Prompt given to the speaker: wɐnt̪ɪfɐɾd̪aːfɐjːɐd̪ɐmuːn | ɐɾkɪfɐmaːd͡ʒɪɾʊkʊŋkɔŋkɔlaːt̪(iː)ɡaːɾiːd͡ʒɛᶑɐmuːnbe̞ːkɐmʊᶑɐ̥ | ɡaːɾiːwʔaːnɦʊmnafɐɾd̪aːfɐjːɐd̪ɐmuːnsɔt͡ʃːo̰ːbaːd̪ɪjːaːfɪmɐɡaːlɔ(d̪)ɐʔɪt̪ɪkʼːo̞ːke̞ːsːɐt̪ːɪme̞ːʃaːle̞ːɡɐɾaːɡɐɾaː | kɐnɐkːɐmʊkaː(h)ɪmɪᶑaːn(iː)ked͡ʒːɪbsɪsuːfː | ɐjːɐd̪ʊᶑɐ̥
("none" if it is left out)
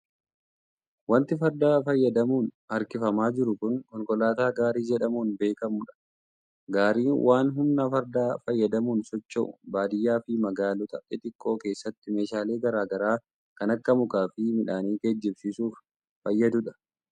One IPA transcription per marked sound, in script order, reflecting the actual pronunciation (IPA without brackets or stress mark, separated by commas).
aː, t̪, f, iː